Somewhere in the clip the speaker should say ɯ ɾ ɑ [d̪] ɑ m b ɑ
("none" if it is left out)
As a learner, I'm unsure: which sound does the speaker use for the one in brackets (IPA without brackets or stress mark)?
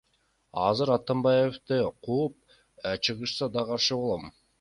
t̪